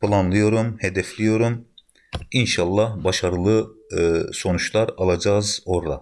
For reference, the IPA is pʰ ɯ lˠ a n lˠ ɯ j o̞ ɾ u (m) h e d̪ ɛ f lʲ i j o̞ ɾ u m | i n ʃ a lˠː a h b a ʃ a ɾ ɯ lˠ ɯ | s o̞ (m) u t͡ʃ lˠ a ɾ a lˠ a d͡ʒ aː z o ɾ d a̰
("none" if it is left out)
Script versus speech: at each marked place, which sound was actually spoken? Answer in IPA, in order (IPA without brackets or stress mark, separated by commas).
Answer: m, n